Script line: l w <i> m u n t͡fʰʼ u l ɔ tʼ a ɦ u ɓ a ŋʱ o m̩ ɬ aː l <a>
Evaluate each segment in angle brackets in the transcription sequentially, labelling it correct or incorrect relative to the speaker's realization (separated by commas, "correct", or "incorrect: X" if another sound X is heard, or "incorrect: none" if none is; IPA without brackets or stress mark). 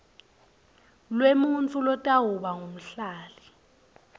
incorrect: e, incorrect: i